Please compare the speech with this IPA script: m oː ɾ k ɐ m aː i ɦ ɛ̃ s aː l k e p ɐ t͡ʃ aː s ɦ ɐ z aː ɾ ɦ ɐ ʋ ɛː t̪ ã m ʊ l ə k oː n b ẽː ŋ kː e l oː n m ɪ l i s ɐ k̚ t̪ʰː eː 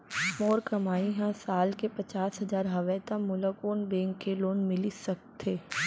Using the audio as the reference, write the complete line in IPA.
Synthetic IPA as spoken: m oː ɾ k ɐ m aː i ɦ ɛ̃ s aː l k e p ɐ t͡ʃ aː s ɦ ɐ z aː ɾ ɦ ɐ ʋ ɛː t̪ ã m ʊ l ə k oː n b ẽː ŋ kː e l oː n m ɪ l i s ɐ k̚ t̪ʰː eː